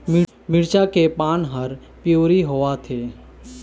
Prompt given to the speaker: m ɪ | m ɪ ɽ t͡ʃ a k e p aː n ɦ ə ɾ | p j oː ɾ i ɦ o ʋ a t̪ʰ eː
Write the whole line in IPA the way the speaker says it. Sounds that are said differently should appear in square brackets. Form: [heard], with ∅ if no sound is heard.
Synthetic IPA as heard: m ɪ | m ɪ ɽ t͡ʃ a k e p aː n ɦ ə ɾ | p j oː ɾ i ɦ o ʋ a t̪ʰ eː